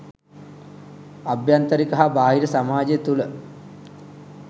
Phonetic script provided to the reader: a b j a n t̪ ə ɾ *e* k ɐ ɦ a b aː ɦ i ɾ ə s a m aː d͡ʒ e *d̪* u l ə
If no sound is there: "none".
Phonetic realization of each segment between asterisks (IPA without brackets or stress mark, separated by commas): i, t̪